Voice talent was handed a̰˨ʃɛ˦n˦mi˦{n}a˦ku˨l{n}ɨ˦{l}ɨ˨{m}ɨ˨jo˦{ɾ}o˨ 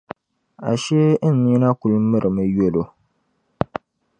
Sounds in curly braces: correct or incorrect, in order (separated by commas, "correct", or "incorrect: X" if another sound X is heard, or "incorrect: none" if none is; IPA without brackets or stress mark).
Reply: correct, incorrect: m, incorrect: ɾ, correct, incorrect: l